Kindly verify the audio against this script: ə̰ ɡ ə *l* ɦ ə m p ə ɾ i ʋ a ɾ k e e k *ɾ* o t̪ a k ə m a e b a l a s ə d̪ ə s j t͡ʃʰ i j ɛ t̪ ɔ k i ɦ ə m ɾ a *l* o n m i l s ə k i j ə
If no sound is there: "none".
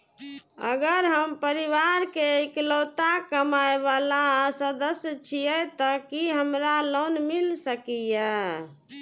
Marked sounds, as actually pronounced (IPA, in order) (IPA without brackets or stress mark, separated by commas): ɾ, l, l